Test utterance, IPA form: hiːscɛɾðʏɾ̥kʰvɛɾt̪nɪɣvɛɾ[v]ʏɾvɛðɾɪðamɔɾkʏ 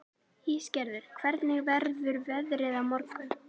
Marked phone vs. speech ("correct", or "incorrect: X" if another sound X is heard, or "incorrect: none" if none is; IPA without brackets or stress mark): incorrect: ð